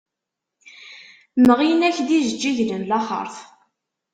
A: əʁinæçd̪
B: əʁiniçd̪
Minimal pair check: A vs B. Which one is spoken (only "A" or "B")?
A